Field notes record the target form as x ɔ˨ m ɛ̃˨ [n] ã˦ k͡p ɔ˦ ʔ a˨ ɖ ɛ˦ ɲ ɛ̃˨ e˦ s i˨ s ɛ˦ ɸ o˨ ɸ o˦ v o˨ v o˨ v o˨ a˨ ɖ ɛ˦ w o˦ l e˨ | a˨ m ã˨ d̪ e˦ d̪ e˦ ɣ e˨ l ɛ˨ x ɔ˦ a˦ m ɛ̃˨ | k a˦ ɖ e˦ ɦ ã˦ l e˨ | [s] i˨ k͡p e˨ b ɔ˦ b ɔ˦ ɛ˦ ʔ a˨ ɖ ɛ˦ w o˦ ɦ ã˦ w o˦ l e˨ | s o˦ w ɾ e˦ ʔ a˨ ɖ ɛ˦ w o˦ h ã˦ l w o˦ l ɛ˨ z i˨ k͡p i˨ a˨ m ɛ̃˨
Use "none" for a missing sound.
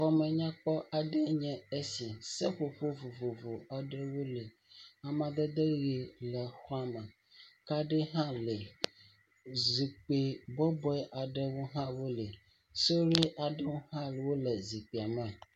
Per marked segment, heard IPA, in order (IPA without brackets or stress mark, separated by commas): ɲ, z